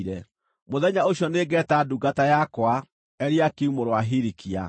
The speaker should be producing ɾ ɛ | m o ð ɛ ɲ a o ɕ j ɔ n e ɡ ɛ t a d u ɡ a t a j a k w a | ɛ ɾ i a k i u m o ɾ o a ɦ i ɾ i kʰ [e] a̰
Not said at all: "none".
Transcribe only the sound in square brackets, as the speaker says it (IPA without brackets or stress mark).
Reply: i